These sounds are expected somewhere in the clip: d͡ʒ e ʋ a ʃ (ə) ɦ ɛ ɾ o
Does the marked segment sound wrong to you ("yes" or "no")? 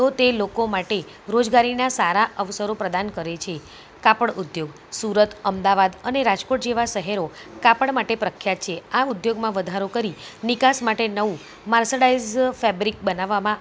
no